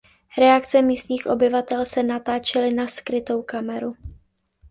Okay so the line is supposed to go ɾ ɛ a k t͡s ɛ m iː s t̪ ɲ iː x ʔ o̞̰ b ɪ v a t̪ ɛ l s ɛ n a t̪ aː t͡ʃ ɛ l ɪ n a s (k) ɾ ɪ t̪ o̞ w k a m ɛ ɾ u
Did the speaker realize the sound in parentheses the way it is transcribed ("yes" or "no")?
yes